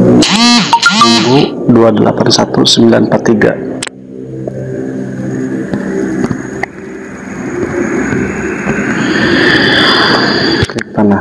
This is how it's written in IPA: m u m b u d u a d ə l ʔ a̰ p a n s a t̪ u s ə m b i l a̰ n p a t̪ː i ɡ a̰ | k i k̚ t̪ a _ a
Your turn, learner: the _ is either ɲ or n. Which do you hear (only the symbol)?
n